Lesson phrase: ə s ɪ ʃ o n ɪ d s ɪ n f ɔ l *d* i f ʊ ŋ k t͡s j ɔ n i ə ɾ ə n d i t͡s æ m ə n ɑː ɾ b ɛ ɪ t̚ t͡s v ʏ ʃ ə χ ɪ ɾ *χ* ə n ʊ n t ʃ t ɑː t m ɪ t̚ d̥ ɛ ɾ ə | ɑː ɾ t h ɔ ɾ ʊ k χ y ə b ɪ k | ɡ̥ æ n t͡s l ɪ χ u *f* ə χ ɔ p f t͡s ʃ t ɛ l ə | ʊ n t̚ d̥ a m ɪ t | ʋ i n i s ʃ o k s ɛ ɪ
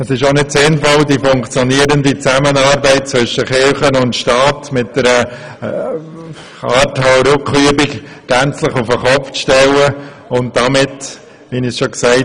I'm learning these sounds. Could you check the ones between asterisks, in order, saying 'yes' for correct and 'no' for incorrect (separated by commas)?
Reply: yes, yes, yes